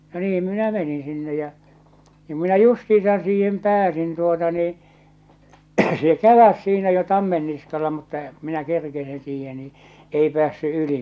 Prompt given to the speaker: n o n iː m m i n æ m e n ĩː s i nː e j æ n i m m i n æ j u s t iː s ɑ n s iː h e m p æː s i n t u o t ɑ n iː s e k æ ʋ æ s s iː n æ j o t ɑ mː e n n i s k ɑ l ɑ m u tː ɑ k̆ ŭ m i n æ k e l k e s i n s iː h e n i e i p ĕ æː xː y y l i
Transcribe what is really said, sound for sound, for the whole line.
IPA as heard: n o n iː m m i n æ m e n ĩː s i nː e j æ n i m m i n æ j u s t iː s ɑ n s iː h e m p æː s i n t u o t ɑ n iː s e k æ ʋ æ s s iː n æ j o t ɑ mː e n n i s k ɑ l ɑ m u tː ɑ k̆ ŭ m i n æ k e r k e s i n s iː h e n i e i p ĕ æː sː y y l i